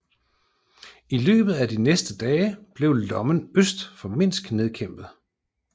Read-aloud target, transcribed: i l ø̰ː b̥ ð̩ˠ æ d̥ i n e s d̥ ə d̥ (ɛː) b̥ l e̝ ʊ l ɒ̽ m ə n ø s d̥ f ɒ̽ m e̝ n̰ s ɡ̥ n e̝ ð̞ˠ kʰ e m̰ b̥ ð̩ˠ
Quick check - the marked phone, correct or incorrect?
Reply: correct